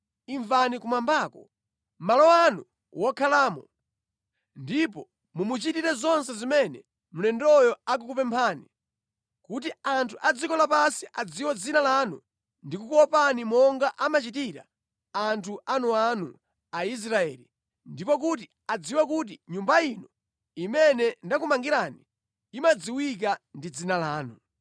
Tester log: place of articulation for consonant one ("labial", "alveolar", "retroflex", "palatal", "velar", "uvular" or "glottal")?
labial